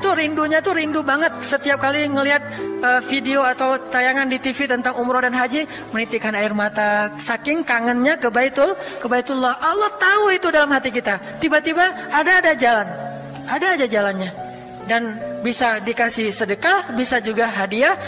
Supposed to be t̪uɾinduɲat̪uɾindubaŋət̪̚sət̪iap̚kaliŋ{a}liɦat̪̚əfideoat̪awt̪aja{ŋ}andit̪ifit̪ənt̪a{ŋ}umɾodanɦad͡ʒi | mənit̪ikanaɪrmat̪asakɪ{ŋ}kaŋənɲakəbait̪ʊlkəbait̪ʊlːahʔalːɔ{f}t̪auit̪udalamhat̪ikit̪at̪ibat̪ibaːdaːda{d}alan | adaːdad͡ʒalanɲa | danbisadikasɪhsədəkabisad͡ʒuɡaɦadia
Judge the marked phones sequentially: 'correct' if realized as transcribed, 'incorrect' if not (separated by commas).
incorrect, correct, correct, correct, incorrect, incorrect